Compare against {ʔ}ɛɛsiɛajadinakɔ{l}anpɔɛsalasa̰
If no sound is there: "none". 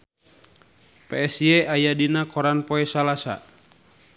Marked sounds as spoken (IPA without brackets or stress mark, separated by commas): p, ɾ